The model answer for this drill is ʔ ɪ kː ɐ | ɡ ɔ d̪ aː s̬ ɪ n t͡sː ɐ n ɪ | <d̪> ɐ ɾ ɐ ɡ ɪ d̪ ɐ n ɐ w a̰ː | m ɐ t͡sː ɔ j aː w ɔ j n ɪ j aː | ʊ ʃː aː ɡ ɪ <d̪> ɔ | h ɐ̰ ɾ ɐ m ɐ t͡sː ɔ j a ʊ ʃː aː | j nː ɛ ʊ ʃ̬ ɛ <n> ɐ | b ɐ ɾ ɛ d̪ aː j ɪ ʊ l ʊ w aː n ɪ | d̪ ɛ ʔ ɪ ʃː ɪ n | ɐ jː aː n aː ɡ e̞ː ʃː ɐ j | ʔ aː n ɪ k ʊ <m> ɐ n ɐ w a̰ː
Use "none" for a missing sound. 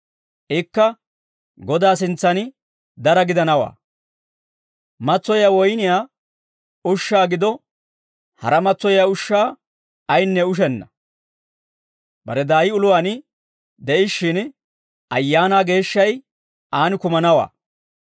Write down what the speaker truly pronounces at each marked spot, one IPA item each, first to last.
d̪, d̪, nː, m

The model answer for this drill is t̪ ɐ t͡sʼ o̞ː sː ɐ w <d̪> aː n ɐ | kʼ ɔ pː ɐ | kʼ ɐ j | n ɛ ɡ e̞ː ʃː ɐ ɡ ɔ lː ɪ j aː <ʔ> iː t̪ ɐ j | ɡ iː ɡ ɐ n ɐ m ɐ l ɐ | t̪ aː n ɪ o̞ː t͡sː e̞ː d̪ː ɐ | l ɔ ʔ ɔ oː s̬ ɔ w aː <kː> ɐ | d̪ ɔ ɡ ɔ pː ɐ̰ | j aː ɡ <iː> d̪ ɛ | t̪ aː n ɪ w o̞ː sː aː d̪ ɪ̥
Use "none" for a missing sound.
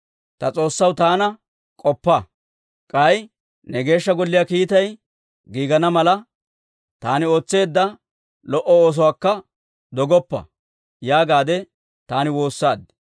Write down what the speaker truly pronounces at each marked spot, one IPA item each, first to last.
t̪, k, kː, aː

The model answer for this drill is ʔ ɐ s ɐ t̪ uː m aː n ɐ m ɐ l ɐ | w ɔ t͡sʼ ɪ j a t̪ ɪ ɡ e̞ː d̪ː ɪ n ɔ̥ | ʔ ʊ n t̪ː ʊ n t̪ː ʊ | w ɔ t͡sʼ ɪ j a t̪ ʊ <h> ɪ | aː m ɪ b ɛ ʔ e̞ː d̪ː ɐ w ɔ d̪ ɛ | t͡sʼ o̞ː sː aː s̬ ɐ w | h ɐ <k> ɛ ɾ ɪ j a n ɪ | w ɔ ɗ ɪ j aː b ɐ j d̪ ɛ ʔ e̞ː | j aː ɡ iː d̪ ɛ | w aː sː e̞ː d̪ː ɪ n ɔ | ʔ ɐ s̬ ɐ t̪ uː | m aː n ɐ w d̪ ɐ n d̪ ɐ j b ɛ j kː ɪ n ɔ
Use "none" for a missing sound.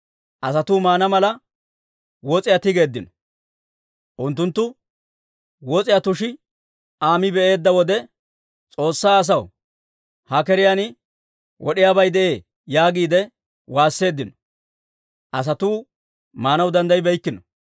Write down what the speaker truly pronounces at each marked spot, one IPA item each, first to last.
ʃ, k

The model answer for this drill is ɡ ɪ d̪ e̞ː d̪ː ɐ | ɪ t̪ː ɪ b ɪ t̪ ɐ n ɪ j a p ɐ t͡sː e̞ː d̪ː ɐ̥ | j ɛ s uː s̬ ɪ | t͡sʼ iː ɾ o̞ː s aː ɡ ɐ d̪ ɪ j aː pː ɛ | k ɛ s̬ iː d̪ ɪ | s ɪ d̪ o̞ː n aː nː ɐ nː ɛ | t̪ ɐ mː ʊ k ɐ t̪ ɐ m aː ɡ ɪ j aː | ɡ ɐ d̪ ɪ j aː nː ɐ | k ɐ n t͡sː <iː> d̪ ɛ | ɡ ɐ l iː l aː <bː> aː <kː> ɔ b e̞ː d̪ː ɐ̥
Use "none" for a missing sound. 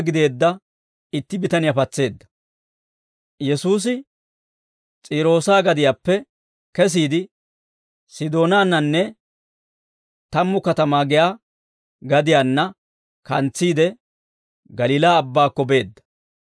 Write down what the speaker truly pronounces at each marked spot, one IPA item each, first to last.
iː, bː, kː

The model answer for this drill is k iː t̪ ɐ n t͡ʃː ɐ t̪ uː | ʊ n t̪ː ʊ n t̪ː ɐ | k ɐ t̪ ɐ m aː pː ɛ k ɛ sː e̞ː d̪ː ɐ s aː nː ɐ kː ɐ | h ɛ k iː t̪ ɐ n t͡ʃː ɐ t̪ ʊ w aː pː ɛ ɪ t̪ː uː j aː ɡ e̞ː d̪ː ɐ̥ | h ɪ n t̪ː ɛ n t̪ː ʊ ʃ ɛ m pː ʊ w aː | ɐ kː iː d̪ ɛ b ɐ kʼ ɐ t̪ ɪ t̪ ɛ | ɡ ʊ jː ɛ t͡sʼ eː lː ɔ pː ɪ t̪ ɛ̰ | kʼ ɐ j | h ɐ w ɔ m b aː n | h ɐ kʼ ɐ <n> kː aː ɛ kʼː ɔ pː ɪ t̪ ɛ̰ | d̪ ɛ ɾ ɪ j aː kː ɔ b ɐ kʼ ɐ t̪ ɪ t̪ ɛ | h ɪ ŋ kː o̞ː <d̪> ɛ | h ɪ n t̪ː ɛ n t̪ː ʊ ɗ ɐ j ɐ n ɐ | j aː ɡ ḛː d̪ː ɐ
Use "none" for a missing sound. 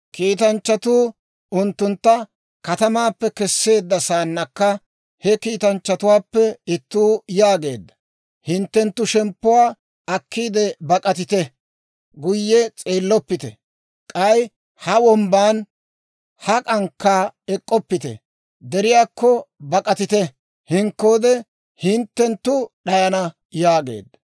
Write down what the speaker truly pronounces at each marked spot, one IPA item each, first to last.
ŋ, d̪

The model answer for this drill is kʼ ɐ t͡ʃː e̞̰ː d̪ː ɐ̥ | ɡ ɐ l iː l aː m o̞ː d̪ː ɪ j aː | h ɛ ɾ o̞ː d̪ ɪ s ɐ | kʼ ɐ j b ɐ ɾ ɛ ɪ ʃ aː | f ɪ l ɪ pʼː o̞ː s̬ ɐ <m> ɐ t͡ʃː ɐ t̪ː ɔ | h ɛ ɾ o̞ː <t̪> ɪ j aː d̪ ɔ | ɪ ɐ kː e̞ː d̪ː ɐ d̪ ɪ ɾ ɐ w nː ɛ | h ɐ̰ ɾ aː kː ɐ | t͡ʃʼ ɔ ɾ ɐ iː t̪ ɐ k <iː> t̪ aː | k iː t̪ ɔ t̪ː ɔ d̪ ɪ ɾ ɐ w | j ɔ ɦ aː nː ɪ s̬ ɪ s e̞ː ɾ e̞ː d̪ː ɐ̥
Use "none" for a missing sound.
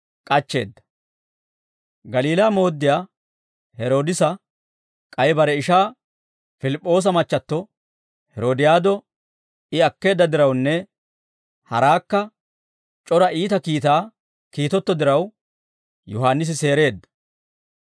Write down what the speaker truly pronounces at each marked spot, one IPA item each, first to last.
m, d̪, iː

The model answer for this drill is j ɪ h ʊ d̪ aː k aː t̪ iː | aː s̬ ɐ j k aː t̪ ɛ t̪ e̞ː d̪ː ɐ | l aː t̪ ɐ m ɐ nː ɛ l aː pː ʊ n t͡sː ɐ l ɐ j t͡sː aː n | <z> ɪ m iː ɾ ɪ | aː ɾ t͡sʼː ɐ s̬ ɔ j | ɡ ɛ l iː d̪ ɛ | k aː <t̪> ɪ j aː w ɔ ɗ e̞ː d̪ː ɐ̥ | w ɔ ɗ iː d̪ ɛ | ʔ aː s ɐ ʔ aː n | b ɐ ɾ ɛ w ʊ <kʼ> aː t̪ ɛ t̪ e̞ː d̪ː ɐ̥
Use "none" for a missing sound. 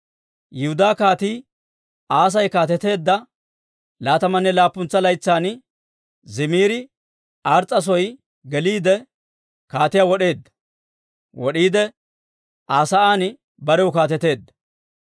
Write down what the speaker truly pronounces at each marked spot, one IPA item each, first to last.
z, t̪, k

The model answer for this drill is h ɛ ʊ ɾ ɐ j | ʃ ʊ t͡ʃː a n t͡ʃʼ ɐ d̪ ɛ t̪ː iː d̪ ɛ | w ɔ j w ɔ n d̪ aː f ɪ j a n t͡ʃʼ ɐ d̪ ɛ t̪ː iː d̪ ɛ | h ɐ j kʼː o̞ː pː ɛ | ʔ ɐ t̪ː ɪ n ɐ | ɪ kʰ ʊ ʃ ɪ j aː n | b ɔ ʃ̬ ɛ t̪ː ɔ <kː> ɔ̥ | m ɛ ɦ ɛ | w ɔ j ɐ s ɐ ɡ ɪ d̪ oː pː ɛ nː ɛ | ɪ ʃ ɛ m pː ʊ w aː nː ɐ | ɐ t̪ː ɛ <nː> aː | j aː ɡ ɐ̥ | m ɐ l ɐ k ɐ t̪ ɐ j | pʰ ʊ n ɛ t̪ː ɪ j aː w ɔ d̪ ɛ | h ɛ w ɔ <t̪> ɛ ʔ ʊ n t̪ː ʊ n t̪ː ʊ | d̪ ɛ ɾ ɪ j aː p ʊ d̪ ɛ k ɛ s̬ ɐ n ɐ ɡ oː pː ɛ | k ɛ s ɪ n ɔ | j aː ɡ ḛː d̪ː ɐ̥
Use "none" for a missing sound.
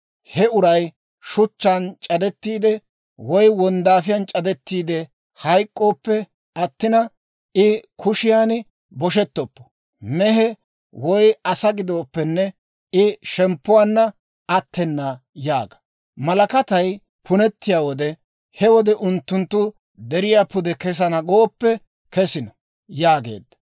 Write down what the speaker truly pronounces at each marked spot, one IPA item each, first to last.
pː, nː, d̪

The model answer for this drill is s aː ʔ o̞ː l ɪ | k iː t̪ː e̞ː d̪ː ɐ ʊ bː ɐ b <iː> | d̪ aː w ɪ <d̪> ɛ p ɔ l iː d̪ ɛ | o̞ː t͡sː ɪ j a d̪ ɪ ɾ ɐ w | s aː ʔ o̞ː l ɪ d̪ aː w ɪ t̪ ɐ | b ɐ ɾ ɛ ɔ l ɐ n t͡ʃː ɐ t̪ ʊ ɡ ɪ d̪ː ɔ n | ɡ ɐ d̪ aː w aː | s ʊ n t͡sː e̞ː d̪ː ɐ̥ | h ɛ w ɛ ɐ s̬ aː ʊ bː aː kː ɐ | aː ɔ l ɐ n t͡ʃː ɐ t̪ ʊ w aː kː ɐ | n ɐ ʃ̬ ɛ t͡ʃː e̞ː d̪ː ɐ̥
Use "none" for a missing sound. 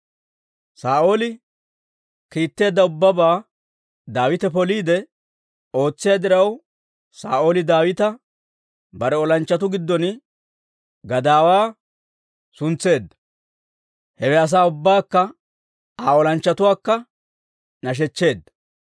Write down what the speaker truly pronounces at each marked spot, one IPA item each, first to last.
aː, t̪

